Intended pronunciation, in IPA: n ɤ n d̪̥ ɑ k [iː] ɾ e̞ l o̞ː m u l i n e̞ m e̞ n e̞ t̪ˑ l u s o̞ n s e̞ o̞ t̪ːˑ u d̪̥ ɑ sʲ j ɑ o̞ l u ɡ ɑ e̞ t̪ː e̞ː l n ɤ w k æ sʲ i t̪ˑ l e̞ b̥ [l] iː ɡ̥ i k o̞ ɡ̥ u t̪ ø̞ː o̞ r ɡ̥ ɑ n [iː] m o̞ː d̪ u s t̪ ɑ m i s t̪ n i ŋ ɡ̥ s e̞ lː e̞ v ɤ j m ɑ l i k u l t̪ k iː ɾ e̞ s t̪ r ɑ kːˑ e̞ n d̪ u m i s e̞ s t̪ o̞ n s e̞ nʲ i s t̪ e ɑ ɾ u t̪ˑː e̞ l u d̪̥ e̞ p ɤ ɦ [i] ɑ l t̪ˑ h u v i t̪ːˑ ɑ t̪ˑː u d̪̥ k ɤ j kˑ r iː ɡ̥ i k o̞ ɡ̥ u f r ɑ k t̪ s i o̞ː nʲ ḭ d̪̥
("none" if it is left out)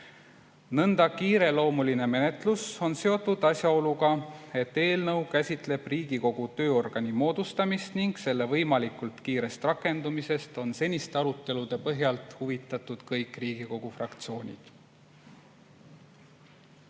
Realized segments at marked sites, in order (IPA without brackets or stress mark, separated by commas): iː, r, i, j